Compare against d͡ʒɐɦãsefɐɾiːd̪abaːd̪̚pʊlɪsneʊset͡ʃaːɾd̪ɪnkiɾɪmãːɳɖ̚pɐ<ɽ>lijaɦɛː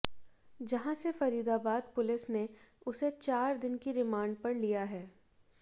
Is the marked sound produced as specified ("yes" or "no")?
no